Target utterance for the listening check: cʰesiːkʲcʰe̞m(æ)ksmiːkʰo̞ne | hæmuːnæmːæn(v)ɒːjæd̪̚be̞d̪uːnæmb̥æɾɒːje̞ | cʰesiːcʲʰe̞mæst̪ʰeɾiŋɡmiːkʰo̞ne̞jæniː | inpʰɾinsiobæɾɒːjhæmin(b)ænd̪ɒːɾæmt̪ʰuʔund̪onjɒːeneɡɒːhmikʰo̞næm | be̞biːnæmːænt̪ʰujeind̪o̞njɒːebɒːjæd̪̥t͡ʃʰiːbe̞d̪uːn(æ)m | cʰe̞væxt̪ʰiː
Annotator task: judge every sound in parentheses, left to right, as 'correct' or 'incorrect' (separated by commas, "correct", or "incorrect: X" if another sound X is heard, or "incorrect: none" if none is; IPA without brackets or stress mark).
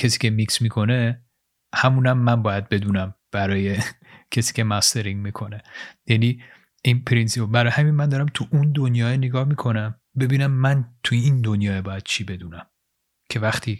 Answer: incorrect: i, incorrect: b, incorrect: m, correct